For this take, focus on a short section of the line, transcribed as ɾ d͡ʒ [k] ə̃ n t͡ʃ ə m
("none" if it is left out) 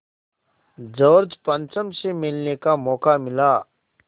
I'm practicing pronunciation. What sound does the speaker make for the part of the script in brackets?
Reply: p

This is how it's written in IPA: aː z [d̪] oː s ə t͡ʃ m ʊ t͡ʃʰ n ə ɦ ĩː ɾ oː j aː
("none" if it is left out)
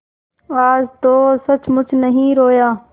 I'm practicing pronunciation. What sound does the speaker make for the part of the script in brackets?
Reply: t̪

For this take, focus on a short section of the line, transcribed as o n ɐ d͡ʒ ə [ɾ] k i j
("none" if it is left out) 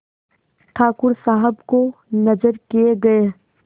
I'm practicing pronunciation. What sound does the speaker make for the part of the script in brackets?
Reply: ɾ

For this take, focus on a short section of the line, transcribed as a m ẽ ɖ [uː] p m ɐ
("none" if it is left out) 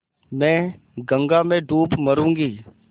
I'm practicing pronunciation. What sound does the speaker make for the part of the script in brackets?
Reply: uː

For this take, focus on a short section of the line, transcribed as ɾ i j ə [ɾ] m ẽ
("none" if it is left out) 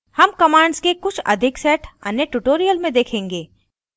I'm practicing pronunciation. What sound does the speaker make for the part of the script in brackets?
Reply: l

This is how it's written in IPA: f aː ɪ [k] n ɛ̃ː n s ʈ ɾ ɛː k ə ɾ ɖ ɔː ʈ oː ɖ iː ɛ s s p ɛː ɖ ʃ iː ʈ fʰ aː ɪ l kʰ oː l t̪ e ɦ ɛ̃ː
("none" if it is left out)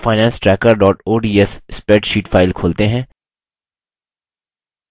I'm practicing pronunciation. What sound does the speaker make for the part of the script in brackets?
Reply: none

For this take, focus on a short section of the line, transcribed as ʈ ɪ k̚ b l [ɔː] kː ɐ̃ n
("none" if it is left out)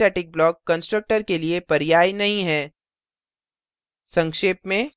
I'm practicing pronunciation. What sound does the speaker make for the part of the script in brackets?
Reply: ɔː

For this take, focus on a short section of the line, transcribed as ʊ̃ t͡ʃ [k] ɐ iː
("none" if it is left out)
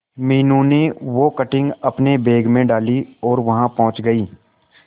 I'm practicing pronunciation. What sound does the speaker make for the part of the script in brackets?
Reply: ɡ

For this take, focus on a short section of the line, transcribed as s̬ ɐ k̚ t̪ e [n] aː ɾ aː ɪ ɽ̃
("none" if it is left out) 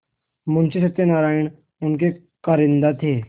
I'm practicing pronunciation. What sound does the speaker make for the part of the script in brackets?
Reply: n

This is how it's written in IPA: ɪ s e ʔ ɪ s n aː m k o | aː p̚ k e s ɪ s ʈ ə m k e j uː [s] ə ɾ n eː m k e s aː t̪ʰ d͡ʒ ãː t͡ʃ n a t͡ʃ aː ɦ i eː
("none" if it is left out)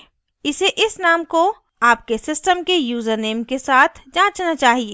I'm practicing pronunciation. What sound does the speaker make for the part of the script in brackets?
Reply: z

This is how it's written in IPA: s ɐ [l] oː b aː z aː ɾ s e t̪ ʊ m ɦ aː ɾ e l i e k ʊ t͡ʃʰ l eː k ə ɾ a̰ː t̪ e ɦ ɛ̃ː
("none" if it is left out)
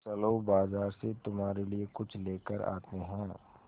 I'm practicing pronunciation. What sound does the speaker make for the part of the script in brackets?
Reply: l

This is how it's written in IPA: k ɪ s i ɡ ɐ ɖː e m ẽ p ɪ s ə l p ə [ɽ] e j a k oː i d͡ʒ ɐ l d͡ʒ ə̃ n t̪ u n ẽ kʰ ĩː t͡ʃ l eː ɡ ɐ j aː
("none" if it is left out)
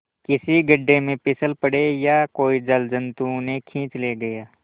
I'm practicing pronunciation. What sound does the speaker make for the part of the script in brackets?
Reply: ɽ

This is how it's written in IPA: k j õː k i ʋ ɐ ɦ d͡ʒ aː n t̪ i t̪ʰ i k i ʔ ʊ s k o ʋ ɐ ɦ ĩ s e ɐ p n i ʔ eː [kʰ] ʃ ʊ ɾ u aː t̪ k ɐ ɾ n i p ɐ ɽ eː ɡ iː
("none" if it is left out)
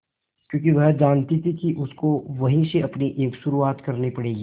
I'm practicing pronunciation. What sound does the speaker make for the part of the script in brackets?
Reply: k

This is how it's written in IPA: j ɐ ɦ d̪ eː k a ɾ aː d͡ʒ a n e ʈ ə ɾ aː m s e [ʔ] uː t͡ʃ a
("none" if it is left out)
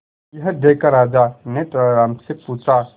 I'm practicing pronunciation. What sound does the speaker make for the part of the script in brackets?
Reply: p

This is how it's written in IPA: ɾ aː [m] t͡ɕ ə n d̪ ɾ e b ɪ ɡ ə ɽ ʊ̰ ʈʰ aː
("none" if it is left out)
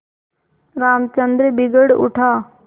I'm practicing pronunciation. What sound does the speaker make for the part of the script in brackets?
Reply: m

